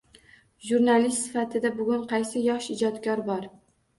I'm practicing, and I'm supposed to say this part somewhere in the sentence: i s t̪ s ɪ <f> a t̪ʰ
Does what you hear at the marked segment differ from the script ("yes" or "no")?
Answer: no